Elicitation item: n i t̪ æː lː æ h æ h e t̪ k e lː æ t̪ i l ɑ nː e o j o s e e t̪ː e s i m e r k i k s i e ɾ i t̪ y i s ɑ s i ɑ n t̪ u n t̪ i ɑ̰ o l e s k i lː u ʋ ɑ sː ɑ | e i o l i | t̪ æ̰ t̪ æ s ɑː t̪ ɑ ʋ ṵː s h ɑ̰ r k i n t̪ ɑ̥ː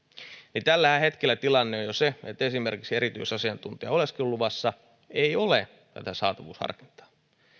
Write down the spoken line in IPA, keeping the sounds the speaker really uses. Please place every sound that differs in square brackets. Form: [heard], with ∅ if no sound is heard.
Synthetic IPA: n i t̪ [æ] lː æ h æ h e t̪ k e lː æ t̪ i l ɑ nː e o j o s e e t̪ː e s i m e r k i k s i e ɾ i t̪ y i s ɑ s i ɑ n t̪ u n t̪ i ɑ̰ o l e s k i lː u ʋ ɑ sː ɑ | e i o l [e] | t̪ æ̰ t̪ æ s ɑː t̪ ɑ ʋ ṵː s h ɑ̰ r k i n t̪ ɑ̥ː